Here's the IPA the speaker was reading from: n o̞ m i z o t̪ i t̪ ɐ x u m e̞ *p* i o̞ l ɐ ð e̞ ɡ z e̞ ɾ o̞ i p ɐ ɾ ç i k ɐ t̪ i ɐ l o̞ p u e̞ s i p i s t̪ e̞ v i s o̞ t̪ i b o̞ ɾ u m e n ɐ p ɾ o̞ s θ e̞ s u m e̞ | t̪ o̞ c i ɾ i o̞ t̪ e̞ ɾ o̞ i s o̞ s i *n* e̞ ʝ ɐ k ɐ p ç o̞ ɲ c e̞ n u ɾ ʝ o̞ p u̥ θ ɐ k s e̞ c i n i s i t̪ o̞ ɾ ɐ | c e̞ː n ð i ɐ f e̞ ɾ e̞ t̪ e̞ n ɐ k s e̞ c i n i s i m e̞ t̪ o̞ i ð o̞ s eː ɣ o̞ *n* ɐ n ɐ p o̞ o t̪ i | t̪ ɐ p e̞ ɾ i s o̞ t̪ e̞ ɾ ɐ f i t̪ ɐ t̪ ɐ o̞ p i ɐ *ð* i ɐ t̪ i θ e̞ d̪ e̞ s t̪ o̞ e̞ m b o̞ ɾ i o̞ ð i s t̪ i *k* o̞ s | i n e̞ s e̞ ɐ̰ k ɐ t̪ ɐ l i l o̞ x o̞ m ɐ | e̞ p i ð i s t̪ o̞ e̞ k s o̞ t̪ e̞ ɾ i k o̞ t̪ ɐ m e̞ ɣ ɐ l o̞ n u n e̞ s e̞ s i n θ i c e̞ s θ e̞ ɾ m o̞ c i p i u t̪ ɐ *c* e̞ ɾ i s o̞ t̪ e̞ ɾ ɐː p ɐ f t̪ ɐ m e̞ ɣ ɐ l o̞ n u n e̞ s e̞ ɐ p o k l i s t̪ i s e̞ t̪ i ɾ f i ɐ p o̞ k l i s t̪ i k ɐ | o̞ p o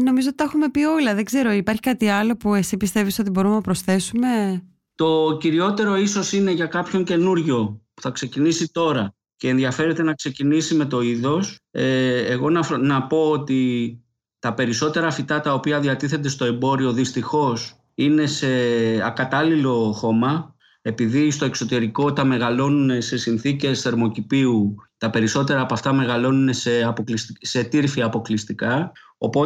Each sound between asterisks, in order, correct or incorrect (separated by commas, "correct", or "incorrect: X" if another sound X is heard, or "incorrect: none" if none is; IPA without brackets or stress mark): correct, correct, correct, correct, incorrect: x, incorrect: p